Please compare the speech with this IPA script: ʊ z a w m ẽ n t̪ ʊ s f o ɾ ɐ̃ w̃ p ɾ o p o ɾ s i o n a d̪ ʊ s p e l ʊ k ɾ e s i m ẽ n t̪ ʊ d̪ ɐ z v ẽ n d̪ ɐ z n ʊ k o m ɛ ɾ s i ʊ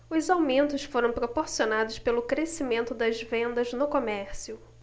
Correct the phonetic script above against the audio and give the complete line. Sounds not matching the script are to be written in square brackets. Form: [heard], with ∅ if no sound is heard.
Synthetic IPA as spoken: ʊ z a w m ẽ n t̪ ʊ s f o ɾ ɐ̃ w̃ p ɾ o p o ɾ s i o n a d̪ ʊ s p e l ʊ k ɾ e s i m ẽ n t̪ ʊ d̪ ɐ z v ẽ n d̪ ɐ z n ʊ k o m ɛ ɾ s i ʊ